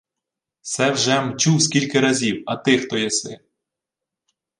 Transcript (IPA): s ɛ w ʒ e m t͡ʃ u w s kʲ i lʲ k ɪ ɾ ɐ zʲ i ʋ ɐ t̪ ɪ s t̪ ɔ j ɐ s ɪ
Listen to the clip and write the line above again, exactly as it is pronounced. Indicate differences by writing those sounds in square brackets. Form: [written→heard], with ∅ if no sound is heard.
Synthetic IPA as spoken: s ɛ w ʒ [e→ɛ] m t͡ʃ u w s kʲ i lʲ k ɪ ɾ ɐ zʲ i [ʋ→w] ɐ t̪ ɪ [s→x] t̪ ɔ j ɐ s ɪ